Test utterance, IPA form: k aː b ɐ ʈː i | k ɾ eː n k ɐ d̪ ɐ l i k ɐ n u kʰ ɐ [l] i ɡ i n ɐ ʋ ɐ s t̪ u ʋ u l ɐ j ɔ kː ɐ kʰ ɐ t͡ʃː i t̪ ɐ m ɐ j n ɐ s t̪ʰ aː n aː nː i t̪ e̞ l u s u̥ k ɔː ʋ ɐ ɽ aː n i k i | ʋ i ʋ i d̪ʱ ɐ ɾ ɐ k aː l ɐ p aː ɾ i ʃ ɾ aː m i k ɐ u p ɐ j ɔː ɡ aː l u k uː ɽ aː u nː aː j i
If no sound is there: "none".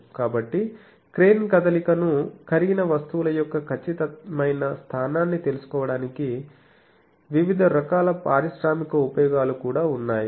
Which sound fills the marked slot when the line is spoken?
ɾ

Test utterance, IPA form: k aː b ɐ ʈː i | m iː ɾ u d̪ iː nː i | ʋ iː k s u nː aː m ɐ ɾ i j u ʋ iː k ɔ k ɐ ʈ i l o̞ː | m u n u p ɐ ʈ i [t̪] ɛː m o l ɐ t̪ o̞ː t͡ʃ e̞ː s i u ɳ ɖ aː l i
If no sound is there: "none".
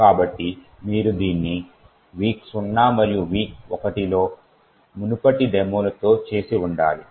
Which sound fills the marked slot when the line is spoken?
d̪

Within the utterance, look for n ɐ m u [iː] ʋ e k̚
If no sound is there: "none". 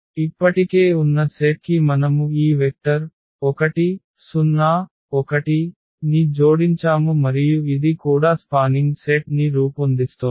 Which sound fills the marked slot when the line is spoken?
iː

